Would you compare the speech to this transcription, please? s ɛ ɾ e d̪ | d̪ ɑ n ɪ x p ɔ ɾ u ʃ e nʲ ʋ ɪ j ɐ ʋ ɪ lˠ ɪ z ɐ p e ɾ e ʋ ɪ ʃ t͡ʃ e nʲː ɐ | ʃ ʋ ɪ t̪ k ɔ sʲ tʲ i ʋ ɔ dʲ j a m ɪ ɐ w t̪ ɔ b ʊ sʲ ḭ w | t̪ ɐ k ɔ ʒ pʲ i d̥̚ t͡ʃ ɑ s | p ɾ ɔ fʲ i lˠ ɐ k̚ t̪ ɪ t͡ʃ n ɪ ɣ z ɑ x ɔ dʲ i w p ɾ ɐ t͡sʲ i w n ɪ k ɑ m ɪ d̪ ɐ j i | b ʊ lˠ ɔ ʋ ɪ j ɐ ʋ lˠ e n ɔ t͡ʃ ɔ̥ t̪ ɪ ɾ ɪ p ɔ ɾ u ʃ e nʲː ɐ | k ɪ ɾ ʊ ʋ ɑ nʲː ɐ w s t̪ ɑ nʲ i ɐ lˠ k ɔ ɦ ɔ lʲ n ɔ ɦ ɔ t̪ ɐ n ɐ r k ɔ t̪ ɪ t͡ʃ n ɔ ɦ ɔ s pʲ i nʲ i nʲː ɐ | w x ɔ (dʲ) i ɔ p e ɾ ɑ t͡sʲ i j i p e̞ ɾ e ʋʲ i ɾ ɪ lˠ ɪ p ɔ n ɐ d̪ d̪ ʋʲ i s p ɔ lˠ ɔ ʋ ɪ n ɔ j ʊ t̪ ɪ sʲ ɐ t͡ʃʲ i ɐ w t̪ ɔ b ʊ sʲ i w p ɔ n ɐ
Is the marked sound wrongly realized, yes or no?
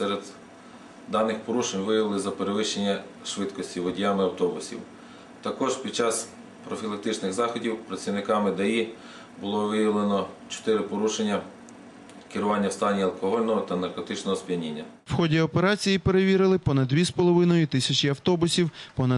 no